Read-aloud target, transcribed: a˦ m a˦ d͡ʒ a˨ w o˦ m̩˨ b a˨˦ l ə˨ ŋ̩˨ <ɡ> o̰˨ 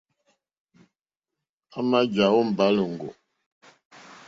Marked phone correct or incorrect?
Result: correct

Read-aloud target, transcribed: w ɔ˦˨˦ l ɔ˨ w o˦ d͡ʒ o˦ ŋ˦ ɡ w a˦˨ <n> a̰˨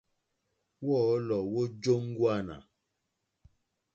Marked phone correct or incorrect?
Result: correct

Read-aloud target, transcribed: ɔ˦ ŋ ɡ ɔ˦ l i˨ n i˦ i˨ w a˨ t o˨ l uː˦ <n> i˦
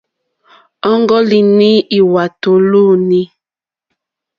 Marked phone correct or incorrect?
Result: correct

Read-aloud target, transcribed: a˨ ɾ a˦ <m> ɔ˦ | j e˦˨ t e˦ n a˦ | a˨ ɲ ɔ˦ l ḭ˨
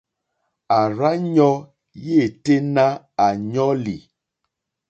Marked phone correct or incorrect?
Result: incorrect: ɲ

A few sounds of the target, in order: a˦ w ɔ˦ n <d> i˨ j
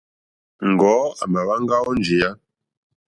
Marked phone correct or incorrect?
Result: incorrect: d͡ʒ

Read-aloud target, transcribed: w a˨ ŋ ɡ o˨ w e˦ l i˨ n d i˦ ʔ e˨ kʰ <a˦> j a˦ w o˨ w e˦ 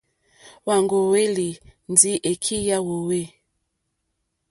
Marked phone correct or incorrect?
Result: incorrect: i˦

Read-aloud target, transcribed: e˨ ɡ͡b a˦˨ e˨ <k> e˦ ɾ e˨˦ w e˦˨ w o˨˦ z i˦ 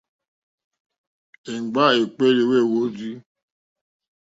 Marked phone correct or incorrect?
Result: incorrect: k͡p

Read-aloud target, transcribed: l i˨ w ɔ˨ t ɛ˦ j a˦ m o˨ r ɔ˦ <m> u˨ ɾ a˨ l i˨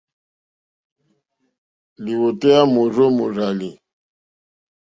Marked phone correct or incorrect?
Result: correct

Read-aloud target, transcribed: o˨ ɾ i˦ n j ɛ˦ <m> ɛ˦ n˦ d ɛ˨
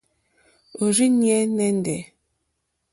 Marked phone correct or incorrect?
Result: incorrect: n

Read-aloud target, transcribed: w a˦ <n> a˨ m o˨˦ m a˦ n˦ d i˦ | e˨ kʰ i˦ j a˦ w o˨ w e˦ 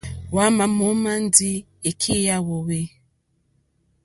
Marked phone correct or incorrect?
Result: incorrect: m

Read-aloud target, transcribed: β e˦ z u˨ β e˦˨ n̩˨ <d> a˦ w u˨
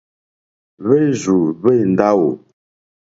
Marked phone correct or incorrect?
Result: correct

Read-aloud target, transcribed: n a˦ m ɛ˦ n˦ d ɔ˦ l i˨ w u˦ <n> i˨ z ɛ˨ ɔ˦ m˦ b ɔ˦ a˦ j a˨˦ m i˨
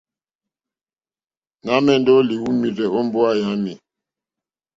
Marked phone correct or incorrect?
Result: incorrect: m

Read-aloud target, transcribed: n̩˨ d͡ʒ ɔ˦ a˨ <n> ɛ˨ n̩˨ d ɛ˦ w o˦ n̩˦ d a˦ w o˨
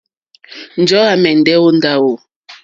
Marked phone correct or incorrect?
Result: incorrect: m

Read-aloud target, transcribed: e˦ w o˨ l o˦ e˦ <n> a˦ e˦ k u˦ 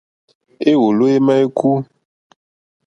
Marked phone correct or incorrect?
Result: incorrect: m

